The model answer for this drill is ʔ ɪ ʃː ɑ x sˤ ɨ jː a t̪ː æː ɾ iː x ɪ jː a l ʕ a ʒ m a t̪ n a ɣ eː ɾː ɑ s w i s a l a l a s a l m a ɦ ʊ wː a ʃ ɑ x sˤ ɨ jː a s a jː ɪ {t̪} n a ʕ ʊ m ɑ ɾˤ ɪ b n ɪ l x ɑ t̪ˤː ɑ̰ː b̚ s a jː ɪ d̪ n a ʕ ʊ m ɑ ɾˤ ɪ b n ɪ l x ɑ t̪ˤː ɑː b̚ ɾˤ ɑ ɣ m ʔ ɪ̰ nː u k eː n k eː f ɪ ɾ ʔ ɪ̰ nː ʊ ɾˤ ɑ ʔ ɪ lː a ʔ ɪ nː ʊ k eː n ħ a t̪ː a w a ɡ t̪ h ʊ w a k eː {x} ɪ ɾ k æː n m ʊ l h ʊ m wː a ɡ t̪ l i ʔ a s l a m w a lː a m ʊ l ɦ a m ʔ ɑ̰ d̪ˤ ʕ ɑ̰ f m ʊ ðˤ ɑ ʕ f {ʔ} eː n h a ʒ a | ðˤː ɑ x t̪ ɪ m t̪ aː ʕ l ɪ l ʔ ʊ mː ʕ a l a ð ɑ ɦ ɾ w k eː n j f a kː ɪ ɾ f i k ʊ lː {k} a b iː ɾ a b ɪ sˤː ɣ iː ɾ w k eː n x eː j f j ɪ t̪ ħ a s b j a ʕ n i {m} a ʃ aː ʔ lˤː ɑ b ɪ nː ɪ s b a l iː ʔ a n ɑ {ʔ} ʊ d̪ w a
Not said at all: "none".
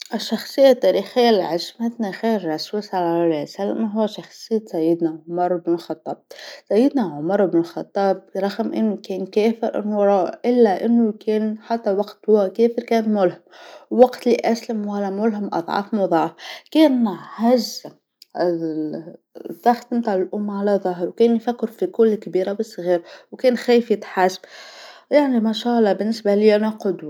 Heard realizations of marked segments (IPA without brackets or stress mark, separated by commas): d̪, f, k, k, m, q